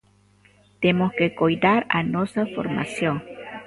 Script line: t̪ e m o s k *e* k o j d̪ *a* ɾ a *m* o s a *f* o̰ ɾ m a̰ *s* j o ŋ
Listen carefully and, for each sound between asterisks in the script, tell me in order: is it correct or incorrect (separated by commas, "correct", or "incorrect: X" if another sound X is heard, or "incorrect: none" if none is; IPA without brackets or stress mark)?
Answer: correct, correct, incorrect: n, correct, correct